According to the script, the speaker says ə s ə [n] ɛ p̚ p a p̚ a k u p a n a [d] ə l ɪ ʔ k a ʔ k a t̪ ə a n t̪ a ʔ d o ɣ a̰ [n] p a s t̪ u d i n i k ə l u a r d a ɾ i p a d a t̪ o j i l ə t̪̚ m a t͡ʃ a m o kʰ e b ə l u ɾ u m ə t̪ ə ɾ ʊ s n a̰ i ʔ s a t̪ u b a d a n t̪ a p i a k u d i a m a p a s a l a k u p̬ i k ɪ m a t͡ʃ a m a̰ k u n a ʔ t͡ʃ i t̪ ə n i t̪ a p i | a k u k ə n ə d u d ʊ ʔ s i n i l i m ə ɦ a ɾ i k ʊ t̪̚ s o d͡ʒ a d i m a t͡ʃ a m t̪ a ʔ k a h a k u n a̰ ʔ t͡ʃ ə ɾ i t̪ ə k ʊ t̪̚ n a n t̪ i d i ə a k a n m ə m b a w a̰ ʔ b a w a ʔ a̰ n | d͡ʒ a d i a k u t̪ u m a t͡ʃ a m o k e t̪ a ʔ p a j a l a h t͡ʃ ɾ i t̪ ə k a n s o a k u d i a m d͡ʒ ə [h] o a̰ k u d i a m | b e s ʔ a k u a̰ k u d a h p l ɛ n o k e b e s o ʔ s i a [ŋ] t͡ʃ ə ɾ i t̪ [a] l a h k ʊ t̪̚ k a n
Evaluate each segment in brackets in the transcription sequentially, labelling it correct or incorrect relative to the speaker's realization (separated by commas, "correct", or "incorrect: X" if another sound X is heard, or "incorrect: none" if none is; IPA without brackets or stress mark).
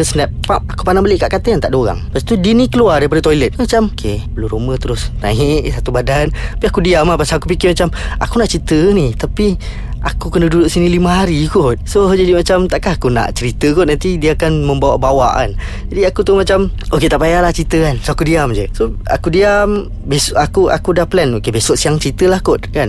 correct, incorrect: b, incorrect: ŋ, incorrect: s, correct, incorrect: ə